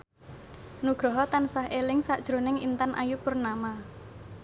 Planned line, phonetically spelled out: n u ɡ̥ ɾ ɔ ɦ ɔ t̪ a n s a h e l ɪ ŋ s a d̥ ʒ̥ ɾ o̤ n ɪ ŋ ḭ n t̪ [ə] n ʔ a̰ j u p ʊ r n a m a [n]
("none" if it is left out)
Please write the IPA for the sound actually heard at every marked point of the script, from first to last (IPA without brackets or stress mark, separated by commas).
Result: a, none